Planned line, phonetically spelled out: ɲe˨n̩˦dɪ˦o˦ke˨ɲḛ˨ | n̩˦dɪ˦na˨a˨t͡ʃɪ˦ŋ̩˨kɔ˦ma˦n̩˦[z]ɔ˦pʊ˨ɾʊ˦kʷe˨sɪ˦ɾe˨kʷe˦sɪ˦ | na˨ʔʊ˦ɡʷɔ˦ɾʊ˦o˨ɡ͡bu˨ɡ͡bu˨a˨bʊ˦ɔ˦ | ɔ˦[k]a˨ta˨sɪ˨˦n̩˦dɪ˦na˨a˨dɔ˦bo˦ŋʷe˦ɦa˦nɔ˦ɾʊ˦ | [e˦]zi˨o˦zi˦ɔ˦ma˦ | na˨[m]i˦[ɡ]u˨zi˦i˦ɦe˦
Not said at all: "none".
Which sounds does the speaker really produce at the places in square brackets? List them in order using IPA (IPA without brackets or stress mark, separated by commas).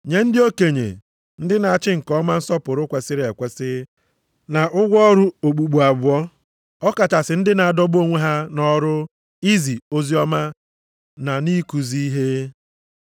s, k, i˦, n, k